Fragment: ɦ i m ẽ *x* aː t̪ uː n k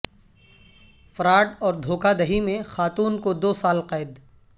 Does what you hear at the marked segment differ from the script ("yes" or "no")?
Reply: no